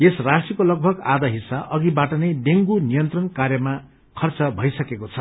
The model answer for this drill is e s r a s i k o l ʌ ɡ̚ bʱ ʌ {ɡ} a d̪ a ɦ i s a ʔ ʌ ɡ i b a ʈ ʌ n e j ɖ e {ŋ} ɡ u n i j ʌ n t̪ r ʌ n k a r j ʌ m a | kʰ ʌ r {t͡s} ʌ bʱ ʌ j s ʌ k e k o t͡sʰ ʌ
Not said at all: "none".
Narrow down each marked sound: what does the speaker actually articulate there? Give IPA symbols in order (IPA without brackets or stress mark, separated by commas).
ɡ, ŋ, t͡s